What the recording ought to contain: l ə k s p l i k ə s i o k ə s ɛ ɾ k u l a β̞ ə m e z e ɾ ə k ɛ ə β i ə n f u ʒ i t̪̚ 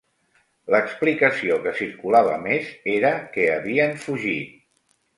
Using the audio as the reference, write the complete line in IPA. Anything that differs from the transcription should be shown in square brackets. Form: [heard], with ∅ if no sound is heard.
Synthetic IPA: l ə k s p l i k ə s i o k ə s [i] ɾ k u l a β̞ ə m e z e ɾ ə k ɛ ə β i ə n f u ʒ i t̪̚